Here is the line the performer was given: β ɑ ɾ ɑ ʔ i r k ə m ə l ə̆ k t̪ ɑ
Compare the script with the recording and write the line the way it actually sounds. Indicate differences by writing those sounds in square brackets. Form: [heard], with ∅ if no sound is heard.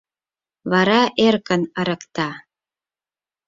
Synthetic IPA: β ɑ ɾ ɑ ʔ [e] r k ə [n] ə [ɾ] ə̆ k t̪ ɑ